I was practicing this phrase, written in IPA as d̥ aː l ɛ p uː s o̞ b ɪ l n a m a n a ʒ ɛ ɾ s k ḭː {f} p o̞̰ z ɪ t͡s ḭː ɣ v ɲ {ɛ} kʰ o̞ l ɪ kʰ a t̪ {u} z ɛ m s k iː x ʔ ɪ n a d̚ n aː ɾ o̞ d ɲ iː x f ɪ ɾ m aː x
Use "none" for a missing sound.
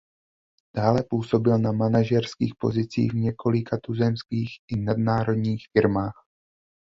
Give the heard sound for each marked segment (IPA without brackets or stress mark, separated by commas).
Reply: x, ɛ, u